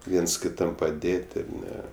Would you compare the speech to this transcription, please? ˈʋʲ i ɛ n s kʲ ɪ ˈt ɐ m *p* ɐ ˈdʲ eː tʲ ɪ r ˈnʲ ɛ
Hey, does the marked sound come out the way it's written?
yes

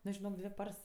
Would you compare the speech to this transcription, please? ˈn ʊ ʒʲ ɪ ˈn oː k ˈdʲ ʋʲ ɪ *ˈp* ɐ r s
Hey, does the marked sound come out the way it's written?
yes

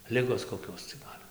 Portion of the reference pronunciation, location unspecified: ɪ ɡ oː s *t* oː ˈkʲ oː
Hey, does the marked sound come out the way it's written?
no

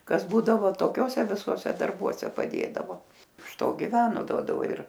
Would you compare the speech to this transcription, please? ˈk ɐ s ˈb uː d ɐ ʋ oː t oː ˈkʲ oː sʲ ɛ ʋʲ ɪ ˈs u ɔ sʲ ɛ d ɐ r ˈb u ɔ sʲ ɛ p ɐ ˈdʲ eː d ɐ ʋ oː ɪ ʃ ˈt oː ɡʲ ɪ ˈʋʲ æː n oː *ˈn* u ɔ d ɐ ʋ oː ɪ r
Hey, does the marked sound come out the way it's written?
no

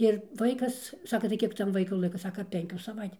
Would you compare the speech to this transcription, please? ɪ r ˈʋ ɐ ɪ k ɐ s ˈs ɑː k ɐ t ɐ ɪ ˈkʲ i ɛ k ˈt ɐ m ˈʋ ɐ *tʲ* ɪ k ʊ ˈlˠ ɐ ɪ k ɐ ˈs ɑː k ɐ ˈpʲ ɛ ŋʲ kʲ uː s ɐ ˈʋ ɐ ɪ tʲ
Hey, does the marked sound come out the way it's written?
no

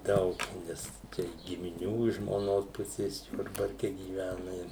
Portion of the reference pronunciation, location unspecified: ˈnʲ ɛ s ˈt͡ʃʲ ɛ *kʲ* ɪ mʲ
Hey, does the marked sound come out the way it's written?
no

